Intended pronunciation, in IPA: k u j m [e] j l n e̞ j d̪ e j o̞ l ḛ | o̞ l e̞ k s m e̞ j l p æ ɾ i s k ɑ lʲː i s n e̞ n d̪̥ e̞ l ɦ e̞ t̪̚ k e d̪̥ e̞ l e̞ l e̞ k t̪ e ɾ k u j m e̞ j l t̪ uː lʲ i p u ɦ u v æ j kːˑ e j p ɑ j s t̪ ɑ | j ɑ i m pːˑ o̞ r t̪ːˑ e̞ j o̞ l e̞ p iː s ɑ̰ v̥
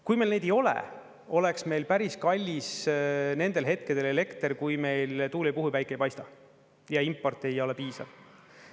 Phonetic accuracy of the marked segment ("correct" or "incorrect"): correct